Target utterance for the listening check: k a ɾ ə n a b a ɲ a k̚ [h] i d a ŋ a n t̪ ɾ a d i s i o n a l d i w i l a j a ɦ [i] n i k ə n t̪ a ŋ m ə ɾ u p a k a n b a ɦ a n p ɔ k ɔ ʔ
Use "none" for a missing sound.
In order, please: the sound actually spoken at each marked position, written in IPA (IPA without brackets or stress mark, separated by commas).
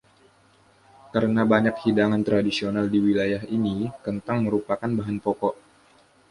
h, i